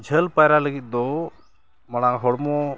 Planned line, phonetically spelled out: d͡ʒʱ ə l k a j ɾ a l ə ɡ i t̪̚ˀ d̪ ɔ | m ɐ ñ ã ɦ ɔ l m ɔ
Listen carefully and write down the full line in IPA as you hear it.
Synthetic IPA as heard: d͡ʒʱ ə l p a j ɾ a l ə ɡ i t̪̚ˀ d̪ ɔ | m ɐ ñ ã ɦ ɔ ɽ m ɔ